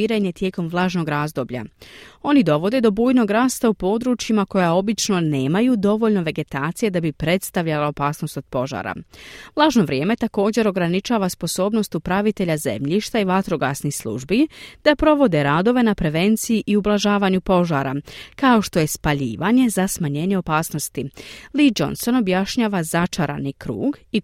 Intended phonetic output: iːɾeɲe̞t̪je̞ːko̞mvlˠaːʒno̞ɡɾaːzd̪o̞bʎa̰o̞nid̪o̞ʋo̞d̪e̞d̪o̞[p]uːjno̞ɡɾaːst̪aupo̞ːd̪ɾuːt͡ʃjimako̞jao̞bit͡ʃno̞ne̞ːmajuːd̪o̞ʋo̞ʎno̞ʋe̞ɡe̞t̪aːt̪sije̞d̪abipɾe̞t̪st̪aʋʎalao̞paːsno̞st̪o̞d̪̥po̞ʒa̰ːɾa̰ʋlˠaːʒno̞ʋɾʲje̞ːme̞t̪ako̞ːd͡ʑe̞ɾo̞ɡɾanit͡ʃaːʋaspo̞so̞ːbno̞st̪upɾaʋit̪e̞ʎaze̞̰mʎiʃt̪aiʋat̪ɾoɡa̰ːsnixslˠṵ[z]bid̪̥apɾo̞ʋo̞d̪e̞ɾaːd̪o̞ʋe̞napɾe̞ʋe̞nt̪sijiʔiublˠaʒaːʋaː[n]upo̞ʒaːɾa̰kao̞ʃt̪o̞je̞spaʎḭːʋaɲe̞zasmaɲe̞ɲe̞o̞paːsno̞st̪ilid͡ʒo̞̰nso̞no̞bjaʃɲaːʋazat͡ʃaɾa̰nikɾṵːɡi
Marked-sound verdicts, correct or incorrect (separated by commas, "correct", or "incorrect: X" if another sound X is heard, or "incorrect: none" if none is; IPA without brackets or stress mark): incorrect: b, incorrect: ʒ, incorrect: ɲ